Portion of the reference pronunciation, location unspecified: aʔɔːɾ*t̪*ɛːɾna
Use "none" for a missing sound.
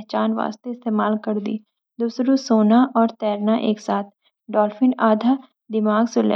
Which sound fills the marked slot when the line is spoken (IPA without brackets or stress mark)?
t̪